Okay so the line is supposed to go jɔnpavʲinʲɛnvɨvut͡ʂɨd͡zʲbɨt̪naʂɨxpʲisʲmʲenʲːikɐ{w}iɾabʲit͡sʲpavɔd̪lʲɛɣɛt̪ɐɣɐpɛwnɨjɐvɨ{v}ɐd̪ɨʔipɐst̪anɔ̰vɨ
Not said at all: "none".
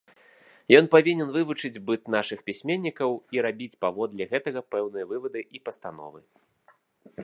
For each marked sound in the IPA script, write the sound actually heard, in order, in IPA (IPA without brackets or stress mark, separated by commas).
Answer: w, v